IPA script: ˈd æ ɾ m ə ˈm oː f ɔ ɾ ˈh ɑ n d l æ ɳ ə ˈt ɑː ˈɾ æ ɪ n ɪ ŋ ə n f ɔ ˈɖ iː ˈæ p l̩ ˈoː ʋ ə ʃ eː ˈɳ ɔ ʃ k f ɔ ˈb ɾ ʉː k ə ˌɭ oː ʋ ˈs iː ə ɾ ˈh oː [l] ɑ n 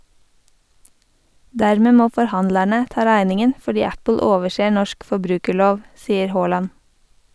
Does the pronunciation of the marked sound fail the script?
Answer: no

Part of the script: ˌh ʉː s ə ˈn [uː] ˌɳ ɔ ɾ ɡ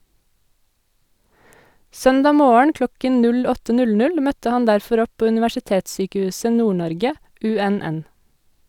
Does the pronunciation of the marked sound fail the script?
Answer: no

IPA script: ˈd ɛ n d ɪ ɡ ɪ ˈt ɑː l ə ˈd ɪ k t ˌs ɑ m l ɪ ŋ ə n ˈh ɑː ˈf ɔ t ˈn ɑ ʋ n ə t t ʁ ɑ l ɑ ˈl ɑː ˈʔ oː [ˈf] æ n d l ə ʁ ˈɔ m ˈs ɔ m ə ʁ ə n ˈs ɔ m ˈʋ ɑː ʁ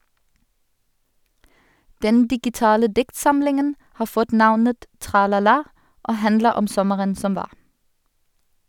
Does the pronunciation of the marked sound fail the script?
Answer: yes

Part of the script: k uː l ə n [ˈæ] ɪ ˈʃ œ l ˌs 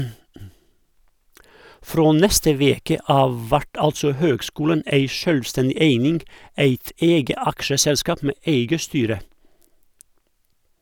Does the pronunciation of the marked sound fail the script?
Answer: yes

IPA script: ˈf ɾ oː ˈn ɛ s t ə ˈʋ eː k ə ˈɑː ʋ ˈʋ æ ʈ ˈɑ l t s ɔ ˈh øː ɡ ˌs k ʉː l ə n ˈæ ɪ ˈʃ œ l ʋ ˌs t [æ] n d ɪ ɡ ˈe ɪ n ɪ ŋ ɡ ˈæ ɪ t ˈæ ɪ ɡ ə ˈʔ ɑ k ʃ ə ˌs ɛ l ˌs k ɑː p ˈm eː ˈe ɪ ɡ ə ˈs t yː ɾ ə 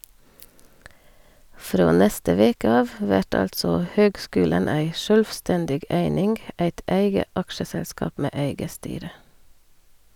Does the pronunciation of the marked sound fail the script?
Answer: yes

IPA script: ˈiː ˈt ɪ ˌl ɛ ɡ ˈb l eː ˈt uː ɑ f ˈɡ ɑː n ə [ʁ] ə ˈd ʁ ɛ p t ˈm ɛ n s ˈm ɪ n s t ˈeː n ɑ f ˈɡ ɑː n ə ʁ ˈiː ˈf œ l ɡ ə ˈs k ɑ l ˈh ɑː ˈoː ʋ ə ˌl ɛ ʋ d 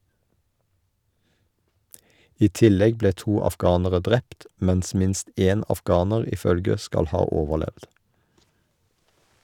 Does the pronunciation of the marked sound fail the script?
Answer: no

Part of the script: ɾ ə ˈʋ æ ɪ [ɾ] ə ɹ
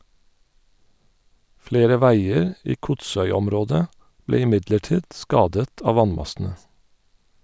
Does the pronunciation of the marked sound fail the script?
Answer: yes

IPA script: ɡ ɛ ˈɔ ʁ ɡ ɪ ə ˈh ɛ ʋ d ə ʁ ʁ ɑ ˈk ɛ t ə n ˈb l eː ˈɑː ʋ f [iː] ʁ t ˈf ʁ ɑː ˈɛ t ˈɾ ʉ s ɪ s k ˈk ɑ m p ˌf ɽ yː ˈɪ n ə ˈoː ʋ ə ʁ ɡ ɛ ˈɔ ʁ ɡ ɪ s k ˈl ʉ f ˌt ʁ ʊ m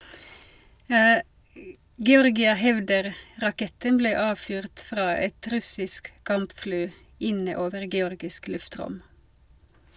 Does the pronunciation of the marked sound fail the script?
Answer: yes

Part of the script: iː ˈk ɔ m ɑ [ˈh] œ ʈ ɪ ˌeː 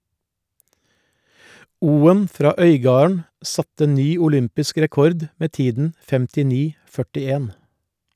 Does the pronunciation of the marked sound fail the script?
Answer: yes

